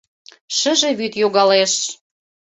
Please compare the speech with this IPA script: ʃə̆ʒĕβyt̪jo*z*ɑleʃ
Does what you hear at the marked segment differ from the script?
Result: yes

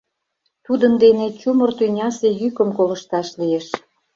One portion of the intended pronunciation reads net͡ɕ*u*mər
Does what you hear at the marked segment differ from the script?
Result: no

